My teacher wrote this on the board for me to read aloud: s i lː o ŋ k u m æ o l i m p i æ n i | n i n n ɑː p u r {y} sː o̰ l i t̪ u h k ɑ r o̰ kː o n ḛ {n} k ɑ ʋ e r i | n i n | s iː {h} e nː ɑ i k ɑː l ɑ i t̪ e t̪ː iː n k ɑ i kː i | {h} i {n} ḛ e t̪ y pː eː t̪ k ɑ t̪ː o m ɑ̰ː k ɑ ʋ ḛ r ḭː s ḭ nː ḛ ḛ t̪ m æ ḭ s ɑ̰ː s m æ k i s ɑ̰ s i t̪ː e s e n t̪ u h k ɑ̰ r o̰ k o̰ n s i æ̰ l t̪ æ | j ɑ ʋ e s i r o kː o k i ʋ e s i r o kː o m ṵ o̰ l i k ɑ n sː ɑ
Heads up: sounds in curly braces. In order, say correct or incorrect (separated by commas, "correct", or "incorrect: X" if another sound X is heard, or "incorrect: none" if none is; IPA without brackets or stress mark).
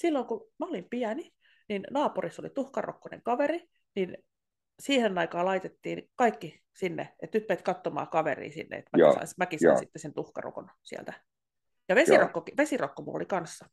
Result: incorrect: i, incorrect: ŋ, correct, incorrect: s, incorrect: nː